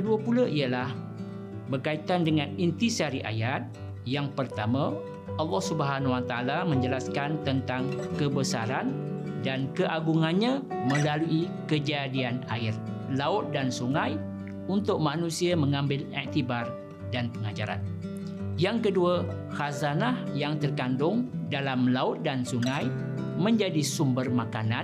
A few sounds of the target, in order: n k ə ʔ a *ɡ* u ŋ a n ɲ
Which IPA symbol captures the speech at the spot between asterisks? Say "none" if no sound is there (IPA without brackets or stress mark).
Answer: ɡ